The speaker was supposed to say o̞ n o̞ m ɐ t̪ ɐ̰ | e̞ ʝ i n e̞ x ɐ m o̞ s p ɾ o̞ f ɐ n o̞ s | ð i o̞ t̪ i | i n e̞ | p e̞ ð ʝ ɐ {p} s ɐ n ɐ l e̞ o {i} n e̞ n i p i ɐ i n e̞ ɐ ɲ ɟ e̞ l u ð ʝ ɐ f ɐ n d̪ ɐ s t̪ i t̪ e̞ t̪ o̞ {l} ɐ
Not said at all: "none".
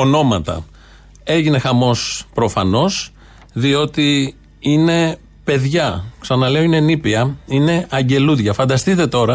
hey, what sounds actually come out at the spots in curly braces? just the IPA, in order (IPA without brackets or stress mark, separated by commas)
k, i, ɾ